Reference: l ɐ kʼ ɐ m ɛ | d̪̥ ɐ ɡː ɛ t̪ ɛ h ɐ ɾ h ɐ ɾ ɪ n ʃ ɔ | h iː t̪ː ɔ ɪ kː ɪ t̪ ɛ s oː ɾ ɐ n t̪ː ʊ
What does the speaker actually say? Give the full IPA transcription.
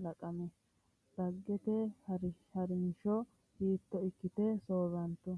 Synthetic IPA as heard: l ɐ kʼ ɐ m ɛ | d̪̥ ɐ ɡː ɛ t̪ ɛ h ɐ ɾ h ɐ ɾ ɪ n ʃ ɔ | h iː t̪ː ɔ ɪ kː ɪ t̪ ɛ s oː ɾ ɐ n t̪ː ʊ

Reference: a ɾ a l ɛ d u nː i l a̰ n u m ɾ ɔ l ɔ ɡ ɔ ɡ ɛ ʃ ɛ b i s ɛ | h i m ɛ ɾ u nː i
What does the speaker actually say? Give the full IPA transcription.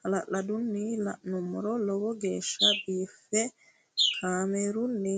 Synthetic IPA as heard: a l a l a d u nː i l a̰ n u m ɾ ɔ l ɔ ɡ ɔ ɡ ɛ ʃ a b i f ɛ | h a m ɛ ɾ u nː i

